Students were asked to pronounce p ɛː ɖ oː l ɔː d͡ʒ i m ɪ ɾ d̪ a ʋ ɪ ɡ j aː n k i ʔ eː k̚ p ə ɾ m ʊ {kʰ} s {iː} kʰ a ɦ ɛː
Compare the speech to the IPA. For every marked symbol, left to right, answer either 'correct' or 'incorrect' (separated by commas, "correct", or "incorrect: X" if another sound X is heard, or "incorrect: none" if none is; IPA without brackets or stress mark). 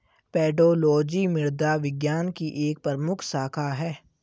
correct, incorrect: aː